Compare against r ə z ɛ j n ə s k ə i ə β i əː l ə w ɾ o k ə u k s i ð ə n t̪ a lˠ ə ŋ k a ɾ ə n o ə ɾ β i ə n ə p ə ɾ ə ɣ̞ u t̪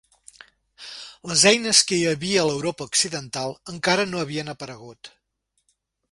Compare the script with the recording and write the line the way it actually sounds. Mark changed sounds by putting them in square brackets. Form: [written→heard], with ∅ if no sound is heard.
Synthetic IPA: [r→l] ə z ɛ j n ə s k ə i ə β i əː l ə w ɾ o [k→p] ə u k s i ð ə n t̪ a lˠ ə ŋ k a ɾ ə n o ə [ɾ→∅] β i ə n ə p ə ɾ ə ɣ̞ u t̪